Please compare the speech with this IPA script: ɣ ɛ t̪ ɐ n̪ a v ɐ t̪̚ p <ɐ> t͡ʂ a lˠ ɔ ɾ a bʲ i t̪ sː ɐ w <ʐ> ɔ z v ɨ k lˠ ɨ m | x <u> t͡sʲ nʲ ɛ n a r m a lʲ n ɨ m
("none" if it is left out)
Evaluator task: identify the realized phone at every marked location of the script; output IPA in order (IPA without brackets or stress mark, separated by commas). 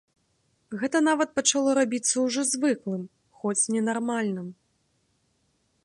ɐ, ʐ, ɔ